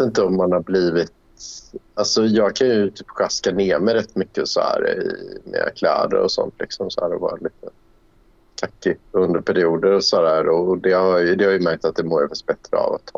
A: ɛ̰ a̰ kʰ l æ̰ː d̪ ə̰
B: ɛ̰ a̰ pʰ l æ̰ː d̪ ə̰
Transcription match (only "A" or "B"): A